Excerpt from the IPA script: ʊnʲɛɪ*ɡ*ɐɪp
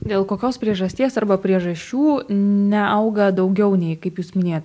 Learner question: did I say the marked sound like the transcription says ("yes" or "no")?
no